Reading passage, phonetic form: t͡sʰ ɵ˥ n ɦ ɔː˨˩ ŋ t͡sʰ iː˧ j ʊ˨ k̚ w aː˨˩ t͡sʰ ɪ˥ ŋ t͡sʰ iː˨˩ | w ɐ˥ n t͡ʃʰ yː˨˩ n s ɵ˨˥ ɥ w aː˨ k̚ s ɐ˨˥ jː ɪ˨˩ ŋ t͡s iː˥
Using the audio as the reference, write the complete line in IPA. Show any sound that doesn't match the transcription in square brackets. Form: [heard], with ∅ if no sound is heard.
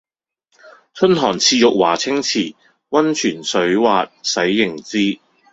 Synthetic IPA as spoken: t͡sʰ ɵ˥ n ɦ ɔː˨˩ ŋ t͡sʰ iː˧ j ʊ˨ k̚ w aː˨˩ t͡sʰ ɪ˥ ŋ t͡sʰ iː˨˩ | w ɐ˥ n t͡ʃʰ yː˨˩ n s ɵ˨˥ ɥ w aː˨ [t̚] s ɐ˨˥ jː ɪ˨˩ ŋ t͡s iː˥